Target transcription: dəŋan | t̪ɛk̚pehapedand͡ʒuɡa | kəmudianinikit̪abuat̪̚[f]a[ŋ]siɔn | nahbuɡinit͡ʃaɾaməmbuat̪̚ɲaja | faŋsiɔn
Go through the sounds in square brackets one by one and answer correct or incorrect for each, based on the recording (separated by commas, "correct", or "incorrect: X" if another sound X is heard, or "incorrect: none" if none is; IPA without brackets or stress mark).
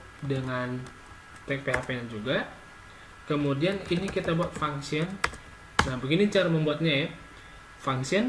correct, correct